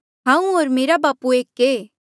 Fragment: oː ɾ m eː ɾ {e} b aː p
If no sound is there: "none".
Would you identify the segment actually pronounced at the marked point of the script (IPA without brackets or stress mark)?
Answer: a